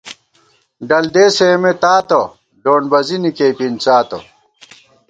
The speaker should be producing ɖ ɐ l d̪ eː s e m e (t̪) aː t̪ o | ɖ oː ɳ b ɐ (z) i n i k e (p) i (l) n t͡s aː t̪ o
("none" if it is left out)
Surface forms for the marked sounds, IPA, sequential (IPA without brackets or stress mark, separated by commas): t̪, z, p, none